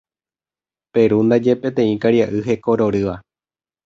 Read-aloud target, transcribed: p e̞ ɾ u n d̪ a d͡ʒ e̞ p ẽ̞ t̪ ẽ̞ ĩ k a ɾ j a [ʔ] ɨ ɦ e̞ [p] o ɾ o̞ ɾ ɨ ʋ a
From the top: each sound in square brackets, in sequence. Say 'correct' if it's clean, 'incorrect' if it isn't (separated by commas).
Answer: correct, incorrect